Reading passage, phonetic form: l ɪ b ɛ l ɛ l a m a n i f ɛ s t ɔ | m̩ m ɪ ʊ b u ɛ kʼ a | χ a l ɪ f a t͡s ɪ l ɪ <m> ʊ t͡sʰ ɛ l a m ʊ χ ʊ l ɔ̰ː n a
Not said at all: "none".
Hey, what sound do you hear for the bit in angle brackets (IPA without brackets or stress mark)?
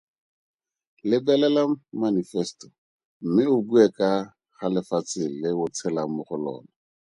none